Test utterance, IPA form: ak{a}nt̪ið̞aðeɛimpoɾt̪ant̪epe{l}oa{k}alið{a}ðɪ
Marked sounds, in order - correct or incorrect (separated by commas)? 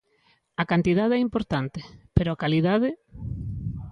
correct, incorrect, correct, correct